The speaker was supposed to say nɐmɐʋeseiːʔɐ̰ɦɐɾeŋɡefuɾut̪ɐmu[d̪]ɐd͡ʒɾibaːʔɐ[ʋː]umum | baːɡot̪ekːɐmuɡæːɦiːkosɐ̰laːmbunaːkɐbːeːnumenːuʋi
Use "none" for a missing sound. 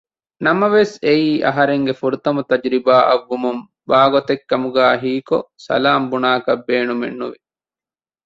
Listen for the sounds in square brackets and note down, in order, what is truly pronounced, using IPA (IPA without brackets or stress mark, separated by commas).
t̪, ʋː